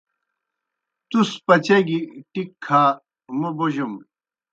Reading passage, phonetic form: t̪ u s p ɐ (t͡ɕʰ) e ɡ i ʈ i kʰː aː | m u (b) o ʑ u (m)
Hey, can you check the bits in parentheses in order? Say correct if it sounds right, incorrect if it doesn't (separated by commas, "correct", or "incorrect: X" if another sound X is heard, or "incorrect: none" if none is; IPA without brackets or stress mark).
incorrect: t͡ɕ, correct, correct